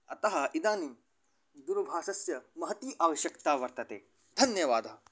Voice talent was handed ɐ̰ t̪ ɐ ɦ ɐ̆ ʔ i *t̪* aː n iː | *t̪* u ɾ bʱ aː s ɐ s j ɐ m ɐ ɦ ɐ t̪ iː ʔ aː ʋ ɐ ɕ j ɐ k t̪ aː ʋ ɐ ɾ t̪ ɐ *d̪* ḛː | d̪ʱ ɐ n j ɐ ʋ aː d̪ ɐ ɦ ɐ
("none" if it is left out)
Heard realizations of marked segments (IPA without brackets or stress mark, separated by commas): d̪, d̪, t̪